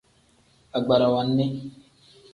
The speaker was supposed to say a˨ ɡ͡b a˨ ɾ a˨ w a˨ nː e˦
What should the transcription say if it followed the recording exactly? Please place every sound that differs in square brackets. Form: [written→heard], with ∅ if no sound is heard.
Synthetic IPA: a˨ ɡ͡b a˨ ɾ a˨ w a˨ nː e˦